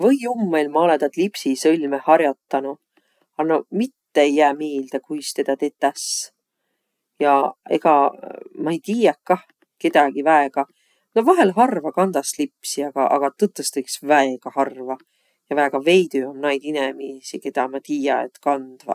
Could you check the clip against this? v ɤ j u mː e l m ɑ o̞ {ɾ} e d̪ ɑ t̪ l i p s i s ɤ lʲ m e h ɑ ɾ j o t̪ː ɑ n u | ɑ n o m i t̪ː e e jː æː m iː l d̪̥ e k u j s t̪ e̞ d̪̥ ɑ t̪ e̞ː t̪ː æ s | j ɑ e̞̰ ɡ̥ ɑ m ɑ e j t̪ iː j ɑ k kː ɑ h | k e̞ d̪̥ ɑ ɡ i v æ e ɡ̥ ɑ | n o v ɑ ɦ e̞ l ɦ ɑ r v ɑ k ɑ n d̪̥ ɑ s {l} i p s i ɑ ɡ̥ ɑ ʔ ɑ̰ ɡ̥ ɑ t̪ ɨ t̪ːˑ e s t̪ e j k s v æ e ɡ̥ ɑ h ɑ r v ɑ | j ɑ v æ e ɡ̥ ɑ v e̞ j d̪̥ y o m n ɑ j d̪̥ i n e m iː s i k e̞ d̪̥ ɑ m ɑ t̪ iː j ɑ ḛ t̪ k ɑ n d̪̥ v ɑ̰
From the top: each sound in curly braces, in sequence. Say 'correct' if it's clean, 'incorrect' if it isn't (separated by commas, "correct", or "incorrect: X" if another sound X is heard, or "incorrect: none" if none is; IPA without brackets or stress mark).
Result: incorrect: l, correct